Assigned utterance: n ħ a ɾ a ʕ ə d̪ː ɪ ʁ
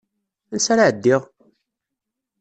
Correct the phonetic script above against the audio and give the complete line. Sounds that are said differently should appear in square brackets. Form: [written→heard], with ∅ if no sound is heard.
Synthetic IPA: n [ħ→s] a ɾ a ʕ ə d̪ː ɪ ʁ